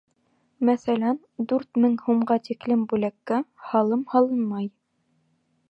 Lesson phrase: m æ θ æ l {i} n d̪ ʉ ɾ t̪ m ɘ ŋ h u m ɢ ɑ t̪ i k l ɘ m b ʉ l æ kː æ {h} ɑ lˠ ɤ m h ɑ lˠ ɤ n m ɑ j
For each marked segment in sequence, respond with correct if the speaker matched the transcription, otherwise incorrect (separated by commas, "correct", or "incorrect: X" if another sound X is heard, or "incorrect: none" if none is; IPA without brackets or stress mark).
incorrect: æ, correct